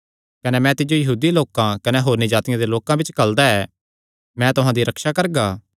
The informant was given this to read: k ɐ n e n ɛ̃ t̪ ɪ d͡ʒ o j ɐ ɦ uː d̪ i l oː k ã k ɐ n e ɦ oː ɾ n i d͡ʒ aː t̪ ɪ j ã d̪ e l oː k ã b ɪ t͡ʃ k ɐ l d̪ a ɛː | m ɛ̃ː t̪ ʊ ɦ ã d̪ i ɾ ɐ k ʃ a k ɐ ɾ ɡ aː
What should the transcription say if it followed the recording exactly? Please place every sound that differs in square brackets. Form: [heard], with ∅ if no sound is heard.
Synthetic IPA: k ɐ n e [m] ɛ̃ t̪ ɪ d͡ʒ o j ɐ ɦ uː d̪ i l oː k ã k ɐ n e ɦ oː ɾ n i d͡ʒ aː t̪ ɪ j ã d̪ e l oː k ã b ɪ t͡ʃ k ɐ l d̪ a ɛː | m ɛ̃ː t̪ ʊ ɦ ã d̪ i ɾ ɐ k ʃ a k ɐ ɾ ɡ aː